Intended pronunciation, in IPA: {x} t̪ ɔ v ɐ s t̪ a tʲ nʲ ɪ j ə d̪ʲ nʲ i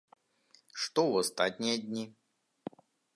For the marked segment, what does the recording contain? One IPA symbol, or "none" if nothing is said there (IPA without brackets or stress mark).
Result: ʂ